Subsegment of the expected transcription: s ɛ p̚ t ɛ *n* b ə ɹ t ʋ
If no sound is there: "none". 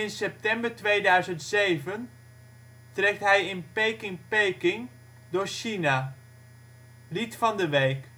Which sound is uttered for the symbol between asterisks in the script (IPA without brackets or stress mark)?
m